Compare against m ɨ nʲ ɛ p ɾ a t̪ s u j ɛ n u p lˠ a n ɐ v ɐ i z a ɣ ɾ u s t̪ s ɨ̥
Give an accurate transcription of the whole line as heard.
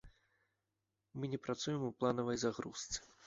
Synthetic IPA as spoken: m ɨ nʲ ɛ p ɾ a t̪ s u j ɛ m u p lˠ a n ɐ v ɐ j z a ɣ ɾ u s t̪ s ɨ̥